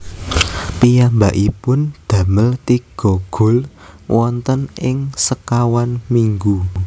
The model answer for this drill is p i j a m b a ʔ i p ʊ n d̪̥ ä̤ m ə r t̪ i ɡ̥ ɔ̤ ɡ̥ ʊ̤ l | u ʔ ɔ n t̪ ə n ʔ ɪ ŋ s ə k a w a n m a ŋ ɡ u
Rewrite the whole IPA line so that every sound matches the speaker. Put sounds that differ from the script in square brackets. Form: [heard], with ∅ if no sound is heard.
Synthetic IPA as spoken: p i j a m b a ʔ i p ʊ n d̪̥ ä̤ m ə [l] t̪ i ɡ̥ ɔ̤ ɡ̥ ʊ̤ l | [w] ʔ ɔ n t̪ ə n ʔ ɪ ŋ s ə k a w a n m [i] ŋ ɡ u